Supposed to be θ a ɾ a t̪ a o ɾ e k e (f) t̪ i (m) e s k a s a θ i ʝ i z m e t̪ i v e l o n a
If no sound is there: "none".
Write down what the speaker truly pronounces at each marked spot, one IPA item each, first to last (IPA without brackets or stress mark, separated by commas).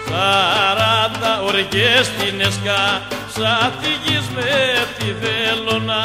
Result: s, n